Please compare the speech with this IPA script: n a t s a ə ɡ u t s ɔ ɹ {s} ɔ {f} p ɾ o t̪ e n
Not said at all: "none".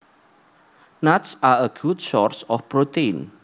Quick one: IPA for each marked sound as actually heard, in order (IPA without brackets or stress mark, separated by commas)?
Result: s, f